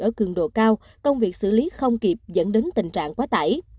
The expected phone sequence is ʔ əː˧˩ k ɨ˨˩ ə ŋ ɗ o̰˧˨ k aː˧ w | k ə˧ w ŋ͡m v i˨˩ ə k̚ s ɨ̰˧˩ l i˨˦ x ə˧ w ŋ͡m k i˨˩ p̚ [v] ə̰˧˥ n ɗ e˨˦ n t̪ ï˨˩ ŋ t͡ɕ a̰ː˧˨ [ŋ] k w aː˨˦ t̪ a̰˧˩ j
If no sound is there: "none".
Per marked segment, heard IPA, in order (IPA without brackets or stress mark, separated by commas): z, ŋ